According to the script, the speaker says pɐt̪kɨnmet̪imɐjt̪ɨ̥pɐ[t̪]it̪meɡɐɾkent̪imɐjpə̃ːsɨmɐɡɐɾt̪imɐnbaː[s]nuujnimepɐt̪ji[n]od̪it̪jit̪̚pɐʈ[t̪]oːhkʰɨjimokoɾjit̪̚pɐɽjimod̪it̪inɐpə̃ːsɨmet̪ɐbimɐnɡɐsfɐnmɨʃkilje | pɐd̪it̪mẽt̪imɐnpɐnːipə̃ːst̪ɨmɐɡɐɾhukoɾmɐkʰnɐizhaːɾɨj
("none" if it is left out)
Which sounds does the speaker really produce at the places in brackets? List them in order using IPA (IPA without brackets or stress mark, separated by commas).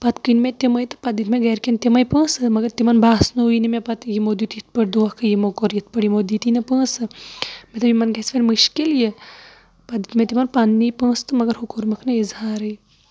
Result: d̪, s, m, d̪